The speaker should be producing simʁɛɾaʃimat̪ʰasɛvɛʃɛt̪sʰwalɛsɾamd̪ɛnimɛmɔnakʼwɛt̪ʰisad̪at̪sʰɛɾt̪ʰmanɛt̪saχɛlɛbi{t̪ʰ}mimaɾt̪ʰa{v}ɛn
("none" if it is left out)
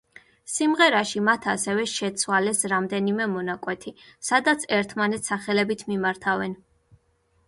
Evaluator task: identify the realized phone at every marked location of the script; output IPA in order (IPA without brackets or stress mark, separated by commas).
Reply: t̪ʰ, v